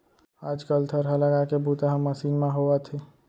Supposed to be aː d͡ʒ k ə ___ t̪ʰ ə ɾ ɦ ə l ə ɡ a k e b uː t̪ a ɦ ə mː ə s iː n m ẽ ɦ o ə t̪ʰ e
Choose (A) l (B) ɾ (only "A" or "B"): A